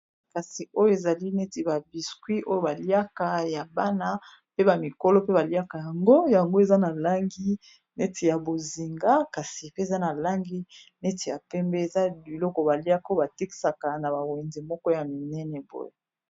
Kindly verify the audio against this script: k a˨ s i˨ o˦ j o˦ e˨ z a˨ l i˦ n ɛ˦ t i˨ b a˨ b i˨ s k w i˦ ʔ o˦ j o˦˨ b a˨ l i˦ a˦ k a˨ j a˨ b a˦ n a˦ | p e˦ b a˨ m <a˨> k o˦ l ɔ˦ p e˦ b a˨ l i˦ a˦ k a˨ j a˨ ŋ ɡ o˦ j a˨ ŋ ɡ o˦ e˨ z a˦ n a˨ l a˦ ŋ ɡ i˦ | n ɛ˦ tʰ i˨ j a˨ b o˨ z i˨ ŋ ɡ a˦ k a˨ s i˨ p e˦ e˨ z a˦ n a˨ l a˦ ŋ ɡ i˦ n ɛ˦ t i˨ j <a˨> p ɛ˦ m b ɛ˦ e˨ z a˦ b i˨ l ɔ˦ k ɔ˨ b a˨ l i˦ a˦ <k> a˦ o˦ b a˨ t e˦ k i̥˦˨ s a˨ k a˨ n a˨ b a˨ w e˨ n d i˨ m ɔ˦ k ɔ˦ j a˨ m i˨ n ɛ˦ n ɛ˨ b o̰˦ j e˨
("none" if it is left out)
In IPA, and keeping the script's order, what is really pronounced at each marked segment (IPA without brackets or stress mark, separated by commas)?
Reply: i˨, a˨, k